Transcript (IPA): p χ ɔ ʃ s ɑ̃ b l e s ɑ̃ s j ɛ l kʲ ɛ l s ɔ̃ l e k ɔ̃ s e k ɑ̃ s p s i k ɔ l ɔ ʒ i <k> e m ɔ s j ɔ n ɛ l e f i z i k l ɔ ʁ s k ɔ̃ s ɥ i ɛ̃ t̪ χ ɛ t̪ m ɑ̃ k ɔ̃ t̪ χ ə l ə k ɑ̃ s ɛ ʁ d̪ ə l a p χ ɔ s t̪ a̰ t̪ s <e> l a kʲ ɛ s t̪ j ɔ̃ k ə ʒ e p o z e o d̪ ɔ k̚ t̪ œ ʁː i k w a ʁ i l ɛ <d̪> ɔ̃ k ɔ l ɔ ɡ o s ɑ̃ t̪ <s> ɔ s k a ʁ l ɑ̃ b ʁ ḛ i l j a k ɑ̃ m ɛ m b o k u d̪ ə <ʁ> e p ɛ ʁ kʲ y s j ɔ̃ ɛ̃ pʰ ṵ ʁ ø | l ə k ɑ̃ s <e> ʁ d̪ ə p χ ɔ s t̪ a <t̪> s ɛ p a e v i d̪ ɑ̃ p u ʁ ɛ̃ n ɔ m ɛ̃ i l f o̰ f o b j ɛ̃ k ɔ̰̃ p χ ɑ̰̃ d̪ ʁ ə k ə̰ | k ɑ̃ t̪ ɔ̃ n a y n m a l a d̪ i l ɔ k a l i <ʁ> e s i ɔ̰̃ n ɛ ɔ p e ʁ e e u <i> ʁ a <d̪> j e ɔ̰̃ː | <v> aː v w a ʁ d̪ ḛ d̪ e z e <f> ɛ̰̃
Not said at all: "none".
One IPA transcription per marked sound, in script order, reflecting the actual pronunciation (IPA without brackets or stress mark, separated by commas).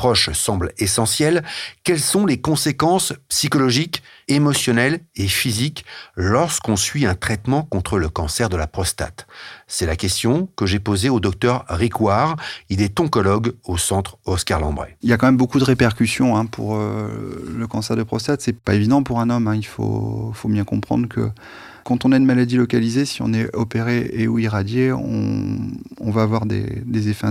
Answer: k, ɛ, t̪, χ, ʁ, ɛ, t̪, z, i, d̪, v, f